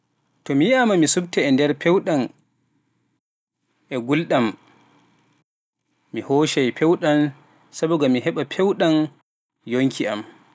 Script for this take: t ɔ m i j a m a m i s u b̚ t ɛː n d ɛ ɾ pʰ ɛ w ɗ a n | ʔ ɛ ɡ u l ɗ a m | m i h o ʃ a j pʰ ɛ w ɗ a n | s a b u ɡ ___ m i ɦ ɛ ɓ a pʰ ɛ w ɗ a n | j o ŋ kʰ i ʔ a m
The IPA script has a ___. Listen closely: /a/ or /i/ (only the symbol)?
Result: a